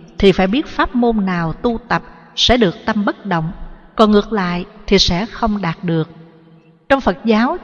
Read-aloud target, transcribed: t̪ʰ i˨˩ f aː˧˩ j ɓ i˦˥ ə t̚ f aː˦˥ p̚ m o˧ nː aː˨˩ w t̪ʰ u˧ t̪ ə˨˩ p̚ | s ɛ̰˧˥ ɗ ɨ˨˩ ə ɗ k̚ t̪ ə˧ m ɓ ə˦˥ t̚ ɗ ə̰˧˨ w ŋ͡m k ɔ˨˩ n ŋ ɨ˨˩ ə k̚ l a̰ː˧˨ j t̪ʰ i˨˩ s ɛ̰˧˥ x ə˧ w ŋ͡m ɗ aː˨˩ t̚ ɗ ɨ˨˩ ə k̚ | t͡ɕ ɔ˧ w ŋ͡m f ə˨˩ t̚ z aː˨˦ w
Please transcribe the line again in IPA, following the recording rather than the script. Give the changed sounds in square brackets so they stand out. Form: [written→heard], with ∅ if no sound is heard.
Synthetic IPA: t̪ʰ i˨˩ f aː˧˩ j ɓ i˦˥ ə t̚ f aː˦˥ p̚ m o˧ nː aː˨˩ w [t̪ʰ→t̪] u˧ t̪ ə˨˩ p̚ | s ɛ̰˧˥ ɗ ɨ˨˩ ə [ɗ→∅] k̚ t̪ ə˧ m ɓ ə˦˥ t̚ ɗ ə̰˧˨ w ŋ͡m k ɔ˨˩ n ŋ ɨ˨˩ ə k̚ l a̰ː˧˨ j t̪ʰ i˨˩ s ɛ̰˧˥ x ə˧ w ŋ͡m ɗ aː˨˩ t̚ ɗ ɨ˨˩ ə k̚ | t͡ɕ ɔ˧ w ŋ͡m f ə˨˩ t̚ z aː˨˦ w

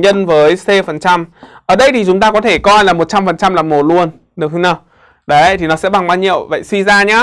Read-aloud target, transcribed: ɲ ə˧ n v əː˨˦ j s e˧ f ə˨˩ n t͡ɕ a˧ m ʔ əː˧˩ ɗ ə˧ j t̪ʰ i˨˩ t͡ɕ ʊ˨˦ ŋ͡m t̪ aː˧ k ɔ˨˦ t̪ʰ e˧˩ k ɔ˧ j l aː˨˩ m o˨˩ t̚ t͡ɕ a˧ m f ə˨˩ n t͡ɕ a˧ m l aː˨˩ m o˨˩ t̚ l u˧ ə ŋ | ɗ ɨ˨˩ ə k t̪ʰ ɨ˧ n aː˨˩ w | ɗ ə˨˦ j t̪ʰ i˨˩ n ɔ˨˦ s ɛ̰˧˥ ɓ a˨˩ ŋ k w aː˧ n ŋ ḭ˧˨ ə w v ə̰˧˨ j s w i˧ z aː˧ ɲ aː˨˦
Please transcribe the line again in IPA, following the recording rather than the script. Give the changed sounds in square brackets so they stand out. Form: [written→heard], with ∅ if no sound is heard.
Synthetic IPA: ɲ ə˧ n v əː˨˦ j s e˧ f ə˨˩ n t͡ɕ a˧ m ʔ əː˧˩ ɗ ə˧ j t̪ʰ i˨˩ t͡ɕ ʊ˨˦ ŋ͡m t̪ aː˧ k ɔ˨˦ t̪ʰ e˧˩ k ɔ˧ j l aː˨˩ m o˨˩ t̚ t͡ɕ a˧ m f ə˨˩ n t͡ɕ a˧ m l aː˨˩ m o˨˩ t̚ l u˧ ə [ŋ→n] | ɗ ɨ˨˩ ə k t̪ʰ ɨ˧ n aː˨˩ w | ɗ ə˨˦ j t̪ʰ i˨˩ n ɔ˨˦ s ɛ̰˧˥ ɓ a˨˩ ŋ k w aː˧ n [ŋ→ɲ] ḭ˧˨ ə w v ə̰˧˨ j s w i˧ z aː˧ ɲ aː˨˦

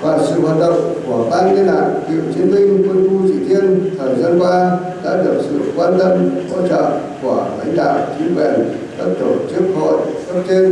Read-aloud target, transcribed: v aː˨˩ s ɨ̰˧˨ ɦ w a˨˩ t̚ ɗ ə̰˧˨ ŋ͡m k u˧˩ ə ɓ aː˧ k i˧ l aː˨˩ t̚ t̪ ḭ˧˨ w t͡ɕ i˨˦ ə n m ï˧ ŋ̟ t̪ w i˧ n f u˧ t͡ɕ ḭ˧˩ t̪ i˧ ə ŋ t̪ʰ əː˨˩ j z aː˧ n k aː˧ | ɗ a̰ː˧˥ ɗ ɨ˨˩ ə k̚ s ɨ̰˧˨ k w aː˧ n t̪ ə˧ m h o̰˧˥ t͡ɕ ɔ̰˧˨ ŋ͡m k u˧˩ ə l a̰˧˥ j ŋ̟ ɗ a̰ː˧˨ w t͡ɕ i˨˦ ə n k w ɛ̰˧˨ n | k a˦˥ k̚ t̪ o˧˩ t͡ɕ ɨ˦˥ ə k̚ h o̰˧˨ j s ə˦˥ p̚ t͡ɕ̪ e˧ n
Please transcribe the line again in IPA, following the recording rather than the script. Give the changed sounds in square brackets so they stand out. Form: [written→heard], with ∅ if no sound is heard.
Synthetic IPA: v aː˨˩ s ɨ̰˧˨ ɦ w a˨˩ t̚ ɗ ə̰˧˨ ŋ͡m k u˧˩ ə ɓ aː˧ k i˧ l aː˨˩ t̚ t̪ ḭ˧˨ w t͡ɕ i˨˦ ə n m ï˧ ŋ̟ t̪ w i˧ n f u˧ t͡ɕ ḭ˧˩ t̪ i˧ ə [ŋ→n] t̪ʰ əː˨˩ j z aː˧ n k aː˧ | ɗ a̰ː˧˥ ɗ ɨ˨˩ ə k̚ s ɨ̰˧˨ k w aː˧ n t̪ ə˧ m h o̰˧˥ t͡ɕ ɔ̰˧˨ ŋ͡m k u˧˩ ə l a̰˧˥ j ŋ̟ ɗ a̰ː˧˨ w t͡ɕ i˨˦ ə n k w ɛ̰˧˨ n | k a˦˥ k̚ t̪ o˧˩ t͡ɕ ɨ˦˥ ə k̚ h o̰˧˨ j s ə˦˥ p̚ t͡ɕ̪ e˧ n

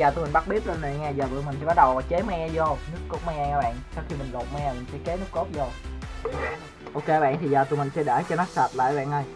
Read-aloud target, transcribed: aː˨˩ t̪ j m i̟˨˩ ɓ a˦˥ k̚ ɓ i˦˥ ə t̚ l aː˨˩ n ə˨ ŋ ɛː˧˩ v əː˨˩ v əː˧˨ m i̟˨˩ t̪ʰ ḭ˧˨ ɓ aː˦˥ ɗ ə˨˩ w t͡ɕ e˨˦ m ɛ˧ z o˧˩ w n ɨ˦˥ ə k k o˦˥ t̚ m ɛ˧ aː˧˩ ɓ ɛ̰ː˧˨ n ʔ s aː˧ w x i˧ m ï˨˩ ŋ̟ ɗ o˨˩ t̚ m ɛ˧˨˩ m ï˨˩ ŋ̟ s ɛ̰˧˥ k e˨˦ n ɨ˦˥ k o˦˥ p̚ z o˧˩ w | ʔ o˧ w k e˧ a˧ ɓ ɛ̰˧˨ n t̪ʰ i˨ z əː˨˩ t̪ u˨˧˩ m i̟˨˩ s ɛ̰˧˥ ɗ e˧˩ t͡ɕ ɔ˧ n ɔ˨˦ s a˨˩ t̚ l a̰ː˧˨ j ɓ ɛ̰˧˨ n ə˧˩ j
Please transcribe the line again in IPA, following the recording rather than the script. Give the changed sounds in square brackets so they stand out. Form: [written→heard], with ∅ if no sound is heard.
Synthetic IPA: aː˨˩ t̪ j m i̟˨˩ ɓ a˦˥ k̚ ɓ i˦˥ ə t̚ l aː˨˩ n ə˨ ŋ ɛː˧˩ [v→z] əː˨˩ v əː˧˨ m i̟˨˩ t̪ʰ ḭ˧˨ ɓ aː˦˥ ɗ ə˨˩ w t͡ɕ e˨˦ m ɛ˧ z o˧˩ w n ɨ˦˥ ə k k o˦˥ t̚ m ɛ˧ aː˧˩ ɓ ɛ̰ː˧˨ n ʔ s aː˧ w x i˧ m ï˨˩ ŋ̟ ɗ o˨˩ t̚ m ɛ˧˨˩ m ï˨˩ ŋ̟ s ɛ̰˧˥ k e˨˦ n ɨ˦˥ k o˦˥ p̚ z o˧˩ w | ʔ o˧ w k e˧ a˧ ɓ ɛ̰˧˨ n t̪ʰ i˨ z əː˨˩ t̪ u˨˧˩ m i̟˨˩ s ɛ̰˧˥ ɗ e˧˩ t͡ɕ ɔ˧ n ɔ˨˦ s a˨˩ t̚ l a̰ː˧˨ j ɓ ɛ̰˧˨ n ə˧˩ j

